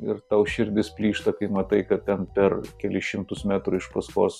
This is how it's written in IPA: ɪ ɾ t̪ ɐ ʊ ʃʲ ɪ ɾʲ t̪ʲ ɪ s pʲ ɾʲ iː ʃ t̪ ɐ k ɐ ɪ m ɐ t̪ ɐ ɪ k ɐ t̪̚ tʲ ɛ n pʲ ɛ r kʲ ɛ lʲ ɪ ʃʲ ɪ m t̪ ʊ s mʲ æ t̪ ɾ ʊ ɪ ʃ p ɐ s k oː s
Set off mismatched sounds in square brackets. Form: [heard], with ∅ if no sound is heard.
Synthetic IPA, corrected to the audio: ɪ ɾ t̪ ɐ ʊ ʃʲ ɪ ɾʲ [d̪ʲ] ɪ s pʲ [lʲ] iː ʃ t̪ ɐ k ɐ ɪ m ɐ t̪ ɐ ɪ k ɐ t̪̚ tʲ ɛ n pʲ ɛ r kʲ ɛ lʲ ɪ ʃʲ ɪ m t̪ ʊ s mʲ æ t̪ ɾ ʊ ɪ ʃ p ɐ s k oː s